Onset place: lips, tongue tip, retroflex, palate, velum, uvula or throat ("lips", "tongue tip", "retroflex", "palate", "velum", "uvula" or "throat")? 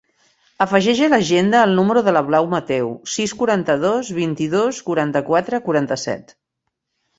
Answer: lips